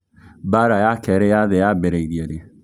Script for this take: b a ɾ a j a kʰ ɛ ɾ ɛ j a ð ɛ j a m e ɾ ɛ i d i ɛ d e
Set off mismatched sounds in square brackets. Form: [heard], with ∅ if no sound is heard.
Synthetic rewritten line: b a ɾ a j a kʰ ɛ ɾ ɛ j a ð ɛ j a [b] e ɾ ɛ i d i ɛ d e